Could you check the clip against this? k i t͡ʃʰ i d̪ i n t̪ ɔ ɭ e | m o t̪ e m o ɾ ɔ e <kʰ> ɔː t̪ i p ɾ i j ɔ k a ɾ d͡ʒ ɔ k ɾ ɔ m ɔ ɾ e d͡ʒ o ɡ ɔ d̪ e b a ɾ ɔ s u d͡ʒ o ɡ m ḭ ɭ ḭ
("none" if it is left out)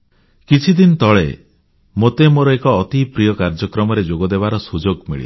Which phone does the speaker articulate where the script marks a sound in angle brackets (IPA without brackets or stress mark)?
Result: k